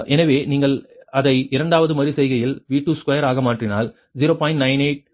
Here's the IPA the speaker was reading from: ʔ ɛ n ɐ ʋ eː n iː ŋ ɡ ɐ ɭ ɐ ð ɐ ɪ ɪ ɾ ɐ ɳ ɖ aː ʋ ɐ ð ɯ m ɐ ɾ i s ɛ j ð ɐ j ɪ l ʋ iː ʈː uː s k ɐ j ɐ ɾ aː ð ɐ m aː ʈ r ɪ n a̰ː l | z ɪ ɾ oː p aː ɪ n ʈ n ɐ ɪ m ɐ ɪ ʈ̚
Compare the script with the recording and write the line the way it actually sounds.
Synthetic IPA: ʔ ɛ n ɐ ʋ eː n iː ŋ ɡ ɐ ɭ ɐ ð ɐ ɪ ɪ ɾ ɐ ɳ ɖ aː ʋ ɐ ð ɯ m ɐ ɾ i s ɛ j ɣ ɐ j ɪ l ʋ iː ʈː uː s k ɐ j ɐ ɾ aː ɣ ɐ m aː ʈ r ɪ n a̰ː l | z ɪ ɾ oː p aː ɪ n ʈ n ɐ ɪ n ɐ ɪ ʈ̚